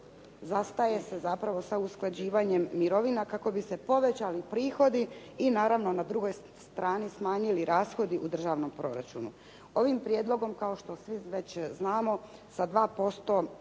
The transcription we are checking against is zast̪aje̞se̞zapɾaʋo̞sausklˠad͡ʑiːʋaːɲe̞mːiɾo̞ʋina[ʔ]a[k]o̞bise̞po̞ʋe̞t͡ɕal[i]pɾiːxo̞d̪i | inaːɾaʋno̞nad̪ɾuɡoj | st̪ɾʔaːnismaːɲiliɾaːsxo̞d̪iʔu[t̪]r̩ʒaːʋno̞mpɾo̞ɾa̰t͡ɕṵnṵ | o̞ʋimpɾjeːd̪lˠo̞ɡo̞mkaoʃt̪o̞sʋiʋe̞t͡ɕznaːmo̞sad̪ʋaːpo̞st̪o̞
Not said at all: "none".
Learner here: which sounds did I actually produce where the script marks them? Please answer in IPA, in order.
k, k, i, d̪

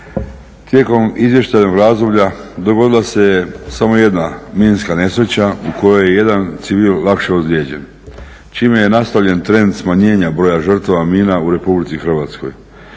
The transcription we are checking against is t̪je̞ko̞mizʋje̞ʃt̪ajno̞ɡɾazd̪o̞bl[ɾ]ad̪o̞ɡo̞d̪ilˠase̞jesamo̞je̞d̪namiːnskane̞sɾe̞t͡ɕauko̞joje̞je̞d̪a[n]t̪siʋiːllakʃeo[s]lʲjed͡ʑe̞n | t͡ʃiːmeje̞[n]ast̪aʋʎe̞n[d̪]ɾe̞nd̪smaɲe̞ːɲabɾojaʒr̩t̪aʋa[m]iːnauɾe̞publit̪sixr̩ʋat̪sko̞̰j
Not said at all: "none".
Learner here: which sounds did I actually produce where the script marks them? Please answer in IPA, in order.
ʎ, n, z, n, t̪, m

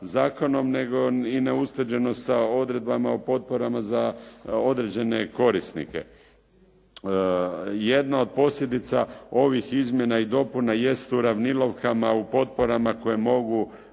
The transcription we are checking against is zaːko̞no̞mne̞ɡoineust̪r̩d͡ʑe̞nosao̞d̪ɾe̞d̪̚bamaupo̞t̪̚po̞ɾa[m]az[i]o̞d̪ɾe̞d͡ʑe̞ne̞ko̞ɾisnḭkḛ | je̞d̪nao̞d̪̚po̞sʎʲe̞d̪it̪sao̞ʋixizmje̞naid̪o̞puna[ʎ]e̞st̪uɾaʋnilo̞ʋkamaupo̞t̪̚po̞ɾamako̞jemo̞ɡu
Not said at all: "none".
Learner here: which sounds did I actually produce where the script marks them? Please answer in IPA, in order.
m, a, j

